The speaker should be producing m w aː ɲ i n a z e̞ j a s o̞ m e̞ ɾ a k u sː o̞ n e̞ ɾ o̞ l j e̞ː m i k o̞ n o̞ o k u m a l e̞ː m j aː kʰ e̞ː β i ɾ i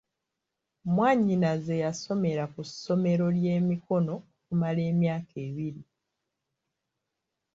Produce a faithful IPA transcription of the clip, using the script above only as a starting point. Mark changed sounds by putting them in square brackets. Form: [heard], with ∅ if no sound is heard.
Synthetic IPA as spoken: m w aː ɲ i n a z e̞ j a s o̞ m e̞ ɾ a k u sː o̞ [m] e̞ ɾ o̞ l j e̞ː m i k o̞ n o̞ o k u m a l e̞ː m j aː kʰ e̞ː β i ɾ i